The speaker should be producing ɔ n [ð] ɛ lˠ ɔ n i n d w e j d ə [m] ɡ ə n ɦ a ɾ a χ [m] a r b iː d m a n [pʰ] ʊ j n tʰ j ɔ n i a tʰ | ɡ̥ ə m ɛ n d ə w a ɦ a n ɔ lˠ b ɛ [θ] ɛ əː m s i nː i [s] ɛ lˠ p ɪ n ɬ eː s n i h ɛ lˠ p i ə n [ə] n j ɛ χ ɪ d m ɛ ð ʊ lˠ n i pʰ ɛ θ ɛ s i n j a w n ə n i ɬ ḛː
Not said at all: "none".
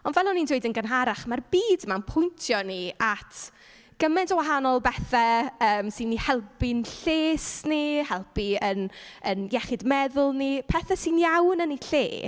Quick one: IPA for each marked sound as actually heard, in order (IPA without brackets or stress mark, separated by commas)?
v, n, m, pʰ, θ, h, ə